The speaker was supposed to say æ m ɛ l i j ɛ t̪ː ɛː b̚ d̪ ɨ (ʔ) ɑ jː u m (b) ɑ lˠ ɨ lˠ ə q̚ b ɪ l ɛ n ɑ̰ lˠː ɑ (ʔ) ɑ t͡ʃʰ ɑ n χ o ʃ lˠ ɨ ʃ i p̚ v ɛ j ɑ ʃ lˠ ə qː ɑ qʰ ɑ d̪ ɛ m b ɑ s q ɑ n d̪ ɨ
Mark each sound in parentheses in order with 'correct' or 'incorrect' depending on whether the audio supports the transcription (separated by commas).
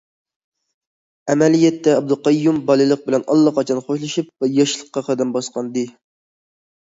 incorrect, correct, incorrect